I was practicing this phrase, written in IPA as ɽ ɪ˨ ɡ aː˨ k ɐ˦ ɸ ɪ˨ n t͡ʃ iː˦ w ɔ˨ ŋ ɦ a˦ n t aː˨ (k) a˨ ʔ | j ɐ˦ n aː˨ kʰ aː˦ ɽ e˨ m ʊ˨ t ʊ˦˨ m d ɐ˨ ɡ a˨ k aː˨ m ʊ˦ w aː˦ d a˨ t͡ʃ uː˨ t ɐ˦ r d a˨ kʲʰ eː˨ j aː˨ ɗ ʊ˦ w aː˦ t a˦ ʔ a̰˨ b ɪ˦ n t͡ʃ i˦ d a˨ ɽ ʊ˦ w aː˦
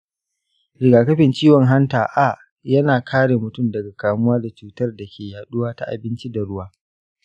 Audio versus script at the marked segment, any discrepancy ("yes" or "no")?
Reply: yes